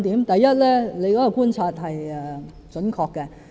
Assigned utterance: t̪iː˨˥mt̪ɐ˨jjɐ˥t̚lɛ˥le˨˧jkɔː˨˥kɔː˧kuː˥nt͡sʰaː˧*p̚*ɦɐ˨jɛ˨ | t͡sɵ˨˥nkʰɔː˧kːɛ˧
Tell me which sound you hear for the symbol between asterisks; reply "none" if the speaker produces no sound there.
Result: t̚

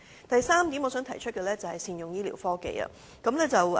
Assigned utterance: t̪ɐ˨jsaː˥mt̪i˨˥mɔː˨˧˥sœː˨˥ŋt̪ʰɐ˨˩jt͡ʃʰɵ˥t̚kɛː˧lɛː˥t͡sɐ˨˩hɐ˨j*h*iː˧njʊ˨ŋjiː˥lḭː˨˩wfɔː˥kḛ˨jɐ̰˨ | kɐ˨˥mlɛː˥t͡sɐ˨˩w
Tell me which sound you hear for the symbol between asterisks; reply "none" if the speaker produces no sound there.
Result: s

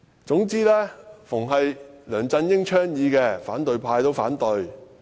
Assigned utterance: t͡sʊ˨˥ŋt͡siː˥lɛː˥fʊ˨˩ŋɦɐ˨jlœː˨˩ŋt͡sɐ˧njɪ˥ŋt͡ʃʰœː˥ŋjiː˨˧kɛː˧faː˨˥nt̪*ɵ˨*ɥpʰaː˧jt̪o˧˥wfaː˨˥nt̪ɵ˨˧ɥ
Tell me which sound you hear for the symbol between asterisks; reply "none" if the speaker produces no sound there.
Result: ɵ˨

